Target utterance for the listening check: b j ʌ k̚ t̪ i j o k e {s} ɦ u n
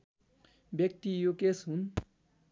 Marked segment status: correct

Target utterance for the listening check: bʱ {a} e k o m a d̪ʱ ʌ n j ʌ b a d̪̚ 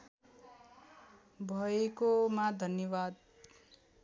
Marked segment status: incorrect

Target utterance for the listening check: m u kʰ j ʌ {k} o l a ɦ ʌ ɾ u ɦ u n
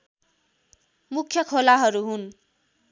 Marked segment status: incorrect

